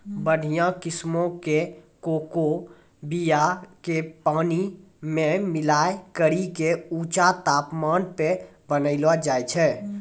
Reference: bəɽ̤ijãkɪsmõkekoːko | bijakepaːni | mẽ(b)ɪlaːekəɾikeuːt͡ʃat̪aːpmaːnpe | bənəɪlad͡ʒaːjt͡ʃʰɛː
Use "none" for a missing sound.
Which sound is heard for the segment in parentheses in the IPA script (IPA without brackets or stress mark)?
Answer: m